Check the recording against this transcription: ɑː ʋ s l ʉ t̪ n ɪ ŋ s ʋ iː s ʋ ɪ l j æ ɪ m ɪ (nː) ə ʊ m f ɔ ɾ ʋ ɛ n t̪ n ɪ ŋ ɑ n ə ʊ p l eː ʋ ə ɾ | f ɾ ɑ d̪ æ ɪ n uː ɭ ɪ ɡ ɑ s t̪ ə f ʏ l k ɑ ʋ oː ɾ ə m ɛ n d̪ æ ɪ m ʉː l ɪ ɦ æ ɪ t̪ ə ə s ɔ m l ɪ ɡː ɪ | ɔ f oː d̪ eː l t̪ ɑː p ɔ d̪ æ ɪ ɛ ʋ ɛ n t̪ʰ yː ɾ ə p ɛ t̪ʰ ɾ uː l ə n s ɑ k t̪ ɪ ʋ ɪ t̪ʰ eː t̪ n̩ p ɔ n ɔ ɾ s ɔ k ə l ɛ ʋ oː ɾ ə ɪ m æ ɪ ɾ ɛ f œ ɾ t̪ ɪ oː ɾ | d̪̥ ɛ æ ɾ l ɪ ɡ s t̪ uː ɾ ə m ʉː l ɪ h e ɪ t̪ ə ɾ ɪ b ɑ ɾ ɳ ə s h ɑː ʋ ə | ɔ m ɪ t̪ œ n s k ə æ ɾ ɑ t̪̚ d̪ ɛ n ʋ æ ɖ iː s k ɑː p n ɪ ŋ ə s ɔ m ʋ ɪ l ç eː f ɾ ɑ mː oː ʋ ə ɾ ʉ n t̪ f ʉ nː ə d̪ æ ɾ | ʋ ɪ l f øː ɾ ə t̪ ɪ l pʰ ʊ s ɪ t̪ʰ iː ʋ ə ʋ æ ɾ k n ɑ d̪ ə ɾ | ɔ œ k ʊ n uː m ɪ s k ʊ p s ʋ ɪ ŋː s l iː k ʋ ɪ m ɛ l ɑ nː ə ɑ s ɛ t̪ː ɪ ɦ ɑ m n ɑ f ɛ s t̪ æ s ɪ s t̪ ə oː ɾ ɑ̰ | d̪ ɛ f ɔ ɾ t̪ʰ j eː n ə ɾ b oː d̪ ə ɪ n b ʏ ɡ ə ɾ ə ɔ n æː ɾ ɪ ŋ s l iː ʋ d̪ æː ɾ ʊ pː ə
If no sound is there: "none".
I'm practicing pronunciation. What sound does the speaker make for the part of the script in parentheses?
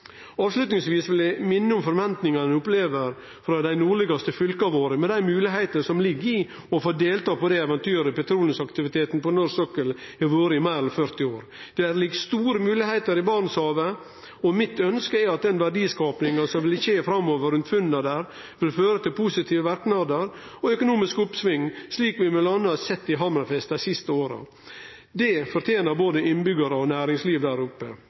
nː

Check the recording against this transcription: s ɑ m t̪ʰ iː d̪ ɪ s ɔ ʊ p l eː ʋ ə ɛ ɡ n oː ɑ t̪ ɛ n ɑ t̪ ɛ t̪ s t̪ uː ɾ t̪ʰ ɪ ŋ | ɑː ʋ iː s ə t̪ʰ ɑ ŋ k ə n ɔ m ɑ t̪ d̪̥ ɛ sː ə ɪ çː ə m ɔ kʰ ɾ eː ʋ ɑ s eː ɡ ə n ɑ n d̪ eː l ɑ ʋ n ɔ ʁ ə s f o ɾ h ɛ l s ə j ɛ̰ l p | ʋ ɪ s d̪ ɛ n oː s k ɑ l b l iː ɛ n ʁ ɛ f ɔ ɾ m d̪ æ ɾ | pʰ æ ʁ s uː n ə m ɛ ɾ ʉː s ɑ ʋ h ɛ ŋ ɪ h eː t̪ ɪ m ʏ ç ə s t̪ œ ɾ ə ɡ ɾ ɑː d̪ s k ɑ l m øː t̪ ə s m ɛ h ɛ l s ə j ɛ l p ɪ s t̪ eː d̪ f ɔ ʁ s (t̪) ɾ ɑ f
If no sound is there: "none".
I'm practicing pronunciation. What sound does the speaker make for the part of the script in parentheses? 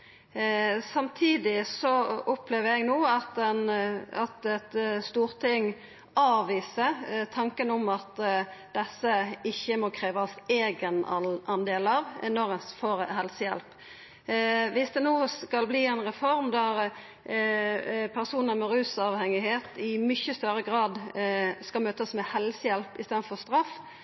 t̪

